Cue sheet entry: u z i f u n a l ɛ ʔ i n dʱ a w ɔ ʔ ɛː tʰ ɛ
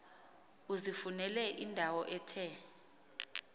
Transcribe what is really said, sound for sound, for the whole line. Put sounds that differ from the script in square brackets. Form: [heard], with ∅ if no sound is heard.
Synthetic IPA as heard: u z i f u n [ɛ] l ɛ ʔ i n dʱ a w ɔ ʔ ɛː tʰ ɛ